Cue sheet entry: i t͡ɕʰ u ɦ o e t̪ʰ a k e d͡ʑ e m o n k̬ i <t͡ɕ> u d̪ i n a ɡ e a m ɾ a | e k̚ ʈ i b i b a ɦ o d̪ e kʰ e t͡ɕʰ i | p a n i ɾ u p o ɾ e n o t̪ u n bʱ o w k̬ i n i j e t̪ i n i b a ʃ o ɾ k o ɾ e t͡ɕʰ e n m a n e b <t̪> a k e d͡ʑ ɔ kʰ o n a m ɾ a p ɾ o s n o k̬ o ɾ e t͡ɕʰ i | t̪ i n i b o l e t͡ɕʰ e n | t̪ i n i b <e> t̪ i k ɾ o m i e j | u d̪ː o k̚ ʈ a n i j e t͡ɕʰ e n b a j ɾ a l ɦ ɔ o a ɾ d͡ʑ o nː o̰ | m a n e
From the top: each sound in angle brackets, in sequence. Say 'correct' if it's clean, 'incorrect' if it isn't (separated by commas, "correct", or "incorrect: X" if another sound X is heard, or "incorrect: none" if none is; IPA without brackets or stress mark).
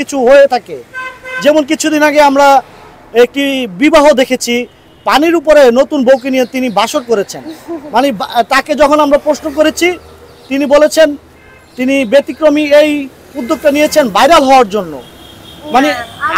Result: incorrect: t͡ɕʰ, correct, correct